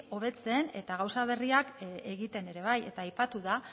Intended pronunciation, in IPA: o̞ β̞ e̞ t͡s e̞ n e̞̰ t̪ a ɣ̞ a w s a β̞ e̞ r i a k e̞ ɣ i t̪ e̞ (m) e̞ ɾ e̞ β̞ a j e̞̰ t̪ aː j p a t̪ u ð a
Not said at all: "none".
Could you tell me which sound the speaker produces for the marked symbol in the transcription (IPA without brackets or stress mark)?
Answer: n